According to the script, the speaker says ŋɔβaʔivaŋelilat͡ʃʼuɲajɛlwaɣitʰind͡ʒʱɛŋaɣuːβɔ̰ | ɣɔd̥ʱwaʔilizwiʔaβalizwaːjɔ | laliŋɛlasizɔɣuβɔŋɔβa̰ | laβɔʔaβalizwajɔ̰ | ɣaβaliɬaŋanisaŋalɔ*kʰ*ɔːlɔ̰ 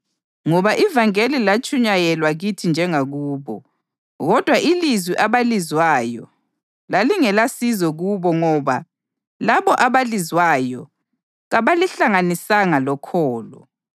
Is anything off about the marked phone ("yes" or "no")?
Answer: no